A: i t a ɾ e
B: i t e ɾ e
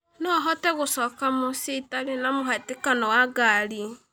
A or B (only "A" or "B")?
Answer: A